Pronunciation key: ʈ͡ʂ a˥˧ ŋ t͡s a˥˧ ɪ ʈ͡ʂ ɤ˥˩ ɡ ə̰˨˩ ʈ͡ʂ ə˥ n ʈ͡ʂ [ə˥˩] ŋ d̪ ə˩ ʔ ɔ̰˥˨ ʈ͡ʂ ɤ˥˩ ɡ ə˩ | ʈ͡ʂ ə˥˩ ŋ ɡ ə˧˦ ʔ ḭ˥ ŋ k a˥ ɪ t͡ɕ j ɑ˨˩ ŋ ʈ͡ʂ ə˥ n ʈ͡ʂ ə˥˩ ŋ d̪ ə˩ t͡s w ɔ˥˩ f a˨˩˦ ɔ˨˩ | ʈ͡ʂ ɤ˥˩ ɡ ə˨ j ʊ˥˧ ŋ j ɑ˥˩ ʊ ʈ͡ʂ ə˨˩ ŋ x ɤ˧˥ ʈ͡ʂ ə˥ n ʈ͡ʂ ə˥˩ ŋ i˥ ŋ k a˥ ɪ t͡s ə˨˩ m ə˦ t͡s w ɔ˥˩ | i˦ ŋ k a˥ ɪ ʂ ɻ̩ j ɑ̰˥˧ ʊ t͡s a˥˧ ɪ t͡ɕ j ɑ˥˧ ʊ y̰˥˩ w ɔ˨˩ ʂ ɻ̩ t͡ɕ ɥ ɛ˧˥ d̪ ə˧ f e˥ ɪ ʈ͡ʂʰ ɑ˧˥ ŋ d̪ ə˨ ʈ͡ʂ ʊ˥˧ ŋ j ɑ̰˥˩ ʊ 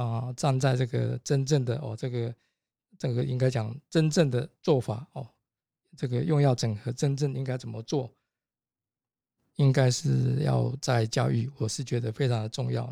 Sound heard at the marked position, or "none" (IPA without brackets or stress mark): ə˥˩